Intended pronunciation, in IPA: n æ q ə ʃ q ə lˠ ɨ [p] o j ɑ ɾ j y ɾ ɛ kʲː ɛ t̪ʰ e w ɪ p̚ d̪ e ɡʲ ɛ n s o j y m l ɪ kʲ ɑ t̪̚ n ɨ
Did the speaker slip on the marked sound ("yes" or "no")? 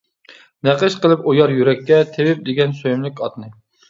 no